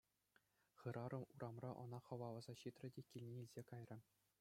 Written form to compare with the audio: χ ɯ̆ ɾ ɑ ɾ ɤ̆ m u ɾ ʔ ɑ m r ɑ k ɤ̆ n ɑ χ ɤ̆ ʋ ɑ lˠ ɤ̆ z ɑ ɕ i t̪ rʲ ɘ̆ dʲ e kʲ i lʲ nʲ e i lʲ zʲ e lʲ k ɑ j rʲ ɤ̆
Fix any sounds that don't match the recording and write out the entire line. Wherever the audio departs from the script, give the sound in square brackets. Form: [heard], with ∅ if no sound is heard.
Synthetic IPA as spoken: χ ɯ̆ ɾ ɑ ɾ ɤ̆ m u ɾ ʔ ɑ m r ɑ [ʔ] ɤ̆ n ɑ χ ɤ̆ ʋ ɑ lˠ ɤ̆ z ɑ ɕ i t̪ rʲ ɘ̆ dʲ e kʲ i lʲ nʲ e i lʲ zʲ e [∅] k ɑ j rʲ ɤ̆